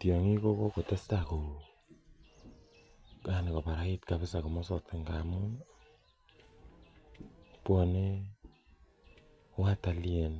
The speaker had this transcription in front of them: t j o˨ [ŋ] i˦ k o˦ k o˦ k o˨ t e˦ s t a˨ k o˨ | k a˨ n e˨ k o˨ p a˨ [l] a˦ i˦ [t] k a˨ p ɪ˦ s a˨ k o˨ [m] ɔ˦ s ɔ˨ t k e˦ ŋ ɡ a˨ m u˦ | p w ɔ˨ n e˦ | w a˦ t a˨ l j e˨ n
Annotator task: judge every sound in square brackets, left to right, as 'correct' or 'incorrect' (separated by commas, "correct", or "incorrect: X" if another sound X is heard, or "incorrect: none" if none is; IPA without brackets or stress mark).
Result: correct, incorrect: ɾ, correct, correct